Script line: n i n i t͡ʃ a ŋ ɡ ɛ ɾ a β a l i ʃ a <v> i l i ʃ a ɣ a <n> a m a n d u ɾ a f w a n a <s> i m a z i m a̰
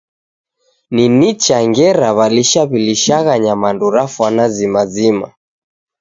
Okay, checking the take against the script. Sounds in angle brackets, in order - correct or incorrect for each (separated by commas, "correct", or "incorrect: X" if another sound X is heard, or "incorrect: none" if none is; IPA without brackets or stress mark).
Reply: incorrect: β, incorrect: ɲ, incorrect: z